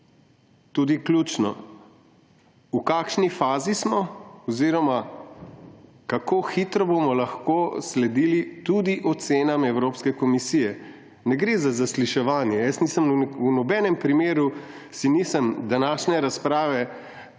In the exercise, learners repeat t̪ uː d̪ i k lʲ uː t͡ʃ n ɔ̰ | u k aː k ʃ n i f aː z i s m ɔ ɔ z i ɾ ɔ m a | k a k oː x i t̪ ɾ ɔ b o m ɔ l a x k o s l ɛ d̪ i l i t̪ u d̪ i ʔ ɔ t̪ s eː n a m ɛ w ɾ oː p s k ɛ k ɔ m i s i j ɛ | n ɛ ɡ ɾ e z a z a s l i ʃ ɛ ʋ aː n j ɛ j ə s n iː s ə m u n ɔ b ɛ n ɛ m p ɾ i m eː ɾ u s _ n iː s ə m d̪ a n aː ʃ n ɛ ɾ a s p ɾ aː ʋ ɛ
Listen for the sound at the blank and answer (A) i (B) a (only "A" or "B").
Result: A